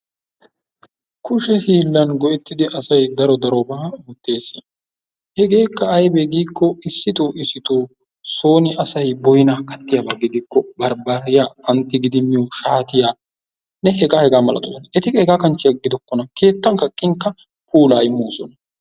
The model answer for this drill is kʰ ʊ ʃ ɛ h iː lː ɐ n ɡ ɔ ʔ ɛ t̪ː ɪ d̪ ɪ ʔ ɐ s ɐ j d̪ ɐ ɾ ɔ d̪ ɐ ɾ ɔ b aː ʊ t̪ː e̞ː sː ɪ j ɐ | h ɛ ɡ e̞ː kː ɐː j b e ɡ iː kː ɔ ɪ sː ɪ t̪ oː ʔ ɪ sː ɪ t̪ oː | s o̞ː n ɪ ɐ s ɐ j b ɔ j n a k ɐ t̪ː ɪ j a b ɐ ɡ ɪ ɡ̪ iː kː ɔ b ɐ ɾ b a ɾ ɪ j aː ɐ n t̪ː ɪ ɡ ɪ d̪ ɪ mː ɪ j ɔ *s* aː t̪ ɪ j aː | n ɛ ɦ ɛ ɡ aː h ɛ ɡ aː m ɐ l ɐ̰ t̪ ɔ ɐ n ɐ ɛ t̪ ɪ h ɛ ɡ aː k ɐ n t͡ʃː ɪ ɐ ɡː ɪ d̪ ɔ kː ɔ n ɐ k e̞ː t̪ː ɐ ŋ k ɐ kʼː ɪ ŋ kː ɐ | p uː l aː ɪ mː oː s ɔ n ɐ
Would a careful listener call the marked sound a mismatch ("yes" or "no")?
yes